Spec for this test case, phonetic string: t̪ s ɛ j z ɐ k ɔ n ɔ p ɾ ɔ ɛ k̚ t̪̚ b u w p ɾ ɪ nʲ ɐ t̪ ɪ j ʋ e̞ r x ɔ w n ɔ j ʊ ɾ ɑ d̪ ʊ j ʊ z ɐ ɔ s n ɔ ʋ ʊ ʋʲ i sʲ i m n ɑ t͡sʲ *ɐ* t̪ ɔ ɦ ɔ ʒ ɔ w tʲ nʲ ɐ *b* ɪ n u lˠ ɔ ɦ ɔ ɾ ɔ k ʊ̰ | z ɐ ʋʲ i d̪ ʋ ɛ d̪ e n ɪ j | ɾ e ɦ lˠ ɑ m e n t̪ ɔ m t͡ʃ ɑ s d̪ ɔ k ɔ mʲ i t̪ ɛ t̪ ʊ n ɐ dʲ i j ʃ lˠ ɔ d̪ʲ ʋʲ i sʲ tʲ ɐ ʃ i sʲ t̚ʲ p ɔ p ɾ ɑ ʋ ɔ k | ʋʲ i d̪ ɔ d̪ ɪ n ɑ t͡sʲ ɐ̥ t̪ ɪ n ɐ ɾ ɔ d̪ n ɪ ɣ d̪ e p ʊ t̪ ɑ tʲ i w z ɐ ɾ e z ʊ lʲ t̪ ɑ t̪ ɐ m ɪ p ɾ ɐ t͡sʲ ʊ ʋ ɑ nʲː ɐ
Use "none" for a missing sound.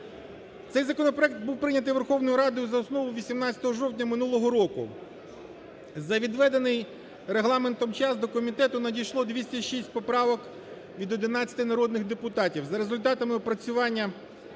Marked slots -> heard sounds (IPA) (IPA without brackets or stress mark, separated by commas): ɐ, m